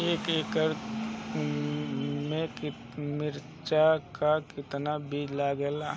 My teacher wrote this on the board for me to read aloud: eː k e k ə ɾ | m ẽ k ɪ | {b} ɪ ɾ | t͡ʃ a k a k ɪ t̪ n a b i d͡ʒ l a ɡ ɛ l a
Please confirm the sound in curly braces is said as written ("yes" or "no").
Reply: no